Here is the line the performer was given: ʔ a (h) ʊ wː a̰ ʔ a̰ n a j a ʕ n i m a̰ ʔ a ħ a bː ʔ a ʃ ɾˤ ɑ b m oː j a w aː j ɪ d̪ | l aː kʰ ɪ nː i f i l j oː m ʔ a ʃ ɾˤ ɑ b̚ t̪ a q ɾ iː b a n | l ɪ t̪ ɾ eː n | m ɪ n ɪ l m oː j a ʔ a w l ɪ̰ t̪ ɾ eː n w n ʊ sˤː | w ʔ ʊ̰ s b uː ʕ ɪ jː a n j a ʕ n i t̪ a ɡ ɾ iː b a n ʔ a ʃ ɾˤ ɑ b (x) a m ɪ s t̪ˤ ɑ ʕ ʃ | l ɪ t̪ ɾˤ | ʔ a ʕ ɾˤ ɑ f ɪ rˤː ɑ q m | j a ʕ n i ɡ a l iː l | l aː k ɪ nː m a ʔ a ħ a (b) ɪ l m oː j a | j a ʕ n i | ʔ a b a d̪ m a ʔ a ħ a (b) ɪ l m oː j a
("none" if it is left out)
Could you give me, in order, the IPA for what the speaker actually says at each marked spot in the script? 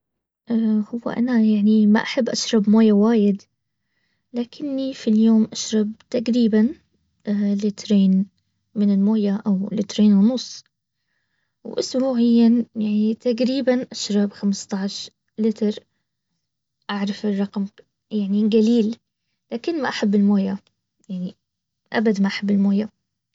h, x, bː, bː

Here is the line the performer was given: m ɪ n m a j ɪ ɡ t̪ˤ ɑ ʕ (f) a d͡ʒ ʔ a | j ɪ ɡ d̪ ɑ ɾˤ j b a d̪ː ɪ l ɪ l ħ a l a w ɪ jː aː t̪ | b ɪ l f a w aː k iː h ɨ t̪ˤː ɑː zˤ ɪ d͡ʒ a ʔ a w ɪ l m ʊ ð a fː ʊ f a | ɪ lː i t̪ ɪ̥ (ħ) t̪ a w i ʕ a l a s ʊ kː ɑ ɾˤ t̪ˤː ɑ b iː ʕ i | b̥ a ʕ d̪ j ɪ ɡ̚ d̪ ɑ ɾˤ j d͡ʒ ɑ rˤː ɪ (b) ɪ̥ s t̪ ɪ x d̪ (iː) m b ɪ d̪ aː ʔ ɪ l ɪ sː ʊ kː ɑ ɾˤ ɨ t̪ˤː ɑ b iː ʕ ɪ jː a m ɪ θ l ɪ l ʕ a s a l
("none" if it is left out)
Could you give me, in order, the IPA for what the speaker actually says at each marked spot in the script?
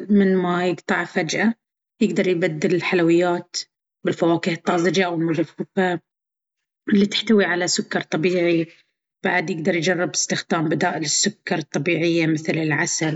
f, ħ, b, aː

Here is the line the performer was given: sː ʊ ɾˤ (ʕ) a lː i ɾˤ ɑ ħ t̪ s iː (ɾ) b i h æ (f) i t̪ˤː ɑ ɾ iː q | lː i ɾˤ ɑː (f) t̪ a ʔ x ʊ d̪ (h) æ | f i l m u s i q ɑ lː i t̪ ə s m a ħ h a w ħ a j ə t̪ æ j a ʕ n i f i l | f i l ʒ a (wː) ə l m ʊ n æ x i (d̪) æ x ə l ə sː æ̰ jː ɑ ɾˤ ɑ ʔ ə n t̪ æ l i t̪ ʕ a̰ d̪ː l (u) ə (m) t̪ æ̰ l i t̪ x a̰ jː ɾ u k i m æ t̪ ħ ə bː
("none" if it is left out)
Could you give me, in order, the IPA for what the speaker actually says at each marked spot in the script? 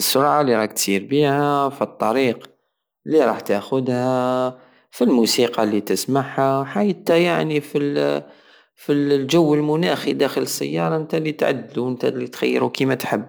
ʕ, ɾ, f, ħ, h, wː, d̪, u, n

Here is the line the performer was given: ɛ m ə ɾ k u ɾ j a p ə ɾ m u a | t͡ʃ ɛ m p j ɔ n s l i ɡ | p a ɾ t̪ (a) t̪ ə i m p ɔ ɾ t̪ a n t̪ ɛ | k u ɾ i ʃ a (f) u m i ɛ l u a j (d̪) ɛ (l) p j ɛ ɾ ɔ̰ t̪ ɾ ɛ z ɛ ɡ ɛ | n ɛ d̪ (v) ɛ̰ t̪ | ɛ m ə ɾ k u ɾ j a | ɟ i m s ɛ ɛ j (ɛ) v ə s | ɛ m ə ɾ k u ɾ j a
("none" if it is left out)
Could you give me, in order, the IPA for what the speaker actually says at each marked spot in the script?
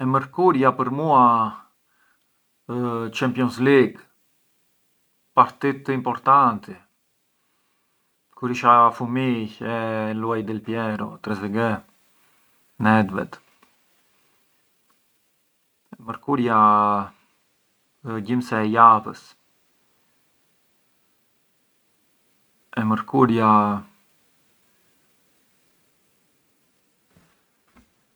i, f, d̪, l, v, a

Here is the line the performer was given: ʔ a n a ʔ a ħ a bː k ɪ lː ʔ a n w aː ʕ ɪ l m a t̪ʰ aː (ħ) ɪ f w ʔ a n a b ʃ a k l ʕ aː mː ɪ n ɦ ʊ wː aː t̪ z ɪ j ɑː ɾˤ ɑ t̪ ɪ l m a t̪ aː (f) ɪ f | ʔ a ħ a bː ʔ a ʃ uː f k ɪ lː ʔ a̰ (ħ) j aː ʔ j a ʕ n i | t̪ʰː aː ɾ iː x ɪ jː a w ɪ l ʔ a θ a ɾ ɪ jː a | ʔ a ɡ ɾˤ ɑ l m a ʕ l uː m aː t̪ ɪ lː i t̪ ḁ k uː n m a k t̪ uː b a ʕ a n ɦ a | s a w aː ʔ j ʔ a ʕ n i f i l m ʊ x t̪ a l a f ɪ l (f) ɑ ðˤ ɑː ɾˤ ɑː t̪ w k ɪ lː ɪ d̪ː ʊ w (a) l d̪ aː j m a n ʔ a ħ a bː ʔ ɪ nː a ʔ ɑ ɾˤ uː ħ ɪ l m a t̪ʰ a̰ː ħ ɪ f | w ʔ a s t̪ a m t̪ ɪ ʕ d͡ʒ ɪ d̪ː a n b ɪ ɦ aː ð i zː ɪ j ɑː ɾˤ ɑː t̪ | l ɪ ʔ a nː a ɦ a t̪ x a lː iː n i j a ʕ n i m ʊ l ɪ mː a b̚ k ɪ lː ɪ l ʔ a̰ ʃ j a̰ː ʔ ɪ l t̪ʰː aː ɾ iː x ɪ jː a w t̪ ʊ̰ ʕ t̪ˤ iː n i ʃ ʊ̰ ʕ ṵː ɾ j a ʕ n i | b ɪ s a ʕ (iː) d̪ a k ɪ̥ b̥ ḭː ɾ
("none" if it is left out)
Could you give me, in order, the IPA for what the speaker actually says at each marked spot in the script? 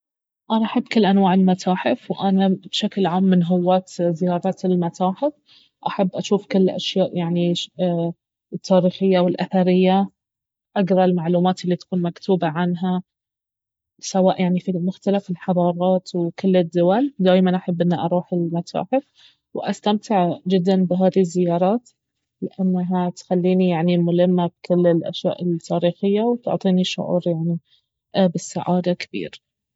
ħ, ħ, ʃ, ħ, a, aː

